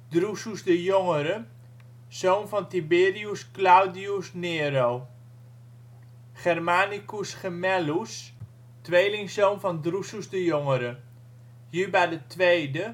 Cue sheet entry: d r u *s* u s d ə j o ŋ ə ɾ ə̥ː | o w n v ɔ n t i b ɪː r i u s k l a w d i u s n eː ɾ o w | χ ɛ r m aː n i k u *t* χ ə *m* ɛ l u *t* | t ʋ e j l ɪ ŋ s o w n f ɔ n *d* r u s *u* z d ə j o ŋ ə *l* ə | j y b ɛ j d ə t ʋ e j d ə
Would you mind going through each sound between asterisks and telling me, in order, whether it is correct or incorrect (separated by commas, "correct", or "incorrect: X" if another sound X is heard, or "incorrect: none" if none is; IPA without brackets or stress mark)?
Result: correct, incorrect: s, correct, incorrect: s, correct, correct, incorrect: ɾ